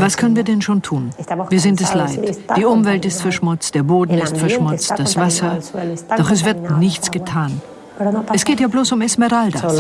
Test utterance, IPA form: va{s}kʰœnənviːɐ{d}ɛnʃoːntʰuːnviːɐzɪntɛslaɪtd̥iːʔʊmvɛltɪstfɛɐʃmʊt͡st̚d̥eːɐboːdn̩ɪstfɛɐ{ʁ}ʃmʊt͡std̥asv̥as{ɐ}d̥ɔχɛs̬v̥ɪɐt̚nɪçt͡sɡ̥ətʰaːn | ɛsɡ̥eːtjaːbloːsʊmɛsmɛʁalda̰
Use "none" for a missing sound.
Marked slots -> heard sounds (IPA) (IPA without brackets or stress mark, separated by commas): s, d, none, ɐ